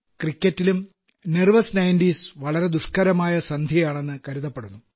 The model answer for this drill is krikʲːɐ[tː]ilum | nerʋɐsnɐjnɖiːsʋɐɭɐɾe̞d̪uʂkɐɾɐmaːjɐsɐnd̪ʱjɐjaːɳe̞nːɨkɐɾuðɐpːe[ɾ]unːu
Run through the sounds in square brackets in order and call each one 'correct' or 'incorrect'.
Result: correct, incorrect

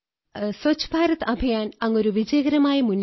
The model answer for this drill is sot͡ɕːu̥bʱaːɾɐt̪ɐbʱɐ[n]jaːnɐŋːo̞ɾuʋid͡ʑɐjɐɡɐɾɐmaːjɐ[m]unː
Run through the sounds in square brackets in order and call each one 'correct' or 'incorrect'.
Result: incorrect, correct

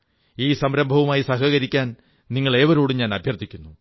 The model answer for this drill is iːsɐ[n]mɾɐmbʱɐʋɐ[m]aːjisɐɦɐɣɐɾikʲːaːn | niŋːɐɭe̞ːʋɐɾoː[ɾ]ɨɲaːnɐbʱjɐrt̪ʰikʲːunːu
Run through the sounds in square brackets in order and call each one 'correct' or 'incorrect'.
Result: incorrect, correct, incorrect

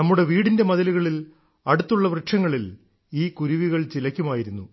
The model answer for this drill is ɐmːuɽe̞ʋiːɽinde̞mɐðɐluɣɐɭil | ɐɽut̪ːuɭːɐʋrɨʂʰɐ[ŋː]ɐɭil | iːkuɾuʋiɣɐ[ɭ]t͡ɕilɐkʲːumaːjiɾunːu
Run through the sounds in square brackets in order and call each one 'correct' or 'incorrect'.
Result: correct, correct

